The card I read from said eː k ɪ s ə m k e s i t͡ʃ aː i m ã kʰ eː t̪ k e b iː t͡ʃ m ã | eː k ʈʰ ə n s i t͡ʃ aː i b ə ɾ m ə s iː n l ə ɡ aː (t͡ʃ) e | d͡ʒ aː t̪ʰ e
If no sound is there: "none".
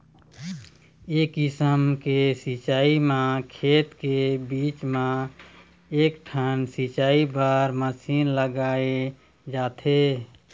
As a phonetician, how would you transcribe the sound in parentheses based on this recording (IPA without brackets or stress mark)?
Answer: none